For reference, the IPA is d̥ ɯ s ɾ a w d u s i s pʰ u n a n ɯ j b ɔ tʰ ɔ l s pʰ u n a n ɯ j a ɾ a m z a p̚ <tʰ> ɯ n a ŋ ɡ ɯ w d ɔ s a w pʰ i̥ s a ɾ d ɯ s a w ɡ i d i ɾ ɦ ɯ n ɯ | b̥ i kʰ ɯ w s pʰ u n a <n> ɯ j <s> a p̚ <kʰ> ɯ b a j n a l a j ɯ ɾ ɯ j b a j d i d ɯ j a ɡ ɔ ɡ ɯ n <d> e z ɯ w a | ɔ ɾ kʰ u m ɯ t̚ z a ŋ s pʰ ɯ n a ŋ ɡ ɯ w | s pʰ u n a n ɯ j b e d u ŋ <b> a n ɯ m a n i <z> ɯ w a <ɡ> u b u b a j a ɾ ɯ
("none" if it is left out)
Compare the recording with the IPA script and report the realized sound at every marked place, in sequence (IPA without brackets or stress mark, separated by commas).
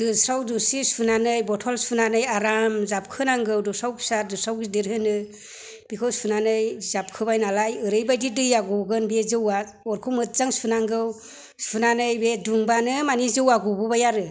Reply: kʰ, n, z, kʰ, b, b, z, ɡ